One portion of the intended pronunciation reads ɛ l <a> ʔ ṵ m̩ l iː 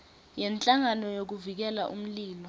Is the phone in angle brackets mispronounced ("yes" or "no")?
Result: no